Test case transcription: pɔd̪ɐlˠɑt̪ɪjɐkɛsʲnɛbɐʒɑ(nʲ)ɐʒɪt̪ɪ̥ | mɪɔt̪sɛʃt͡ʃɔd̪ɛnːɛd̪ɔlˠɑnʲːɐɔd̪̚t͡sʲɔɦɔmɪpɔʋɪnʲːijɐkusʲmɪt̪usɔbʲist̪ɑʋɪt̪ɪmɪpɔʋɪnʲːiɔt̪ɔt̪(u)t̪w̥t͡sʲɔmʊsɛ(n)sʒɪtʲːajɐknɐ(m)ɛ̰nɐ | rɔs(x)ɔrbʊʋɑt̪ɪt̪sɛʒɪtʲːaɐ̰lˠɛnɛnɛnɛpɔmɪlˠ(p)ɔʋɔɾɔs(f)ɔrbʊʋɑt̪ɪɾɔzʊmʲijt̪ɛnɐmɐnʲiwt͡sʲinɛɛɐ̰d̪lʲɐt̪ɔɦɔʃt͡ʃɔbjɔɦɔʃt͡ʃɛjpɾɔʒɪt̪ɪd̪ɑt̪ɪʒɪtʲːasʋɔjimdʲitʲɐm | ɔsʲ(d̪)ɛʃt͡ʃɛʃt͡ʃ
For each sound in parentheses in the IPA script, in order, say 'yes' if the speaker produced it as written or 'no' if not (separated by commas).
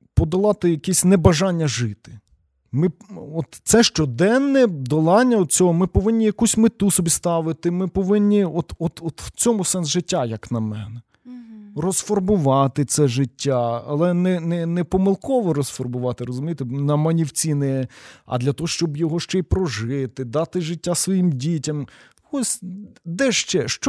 no, no, yes, yes, no, no, yes, yes